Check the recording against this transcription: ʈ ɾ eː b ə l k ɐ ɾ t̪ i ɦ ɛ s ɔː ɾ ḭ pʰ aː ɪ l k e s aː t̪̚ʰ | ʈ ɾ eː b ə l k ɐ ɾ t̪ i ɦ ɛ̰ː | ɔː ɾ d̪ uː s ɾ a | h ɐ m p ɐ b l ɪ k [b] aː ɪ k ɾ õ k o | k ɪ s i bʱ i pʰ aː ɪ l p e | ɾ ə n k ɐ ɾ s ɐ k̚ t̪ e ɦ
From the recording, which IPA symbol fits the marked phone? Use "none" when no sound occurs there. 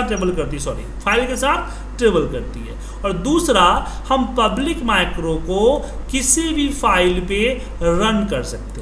m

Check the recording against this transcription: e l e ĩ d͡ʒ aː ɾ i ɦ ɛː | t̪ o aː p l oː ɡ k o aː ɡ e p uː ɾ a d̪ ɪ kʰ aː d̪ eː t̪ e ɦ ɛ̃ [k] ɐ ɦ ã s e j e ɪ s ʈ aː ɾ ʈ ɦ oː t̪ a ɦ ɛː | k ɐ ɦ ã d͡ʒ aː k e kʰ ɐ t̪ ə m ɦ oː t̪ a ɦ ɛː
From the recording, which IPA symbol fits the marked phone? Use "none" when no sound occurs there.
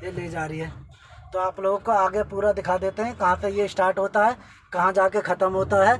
k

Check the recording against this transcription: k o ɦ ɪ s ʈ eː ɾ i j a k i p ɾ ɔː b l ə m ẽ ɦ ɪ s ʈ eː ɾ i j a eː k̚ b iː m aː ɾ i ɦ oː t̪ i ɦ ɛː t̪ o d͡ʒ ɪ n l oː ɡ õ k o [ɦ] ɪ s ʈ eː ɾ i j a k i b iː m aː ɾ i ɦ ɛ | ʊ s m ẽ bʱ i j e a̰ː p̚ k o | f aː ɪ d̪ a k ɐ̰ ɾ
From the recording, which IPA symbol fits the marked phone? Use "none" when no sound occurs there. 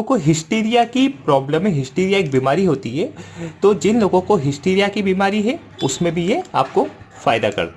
ɦ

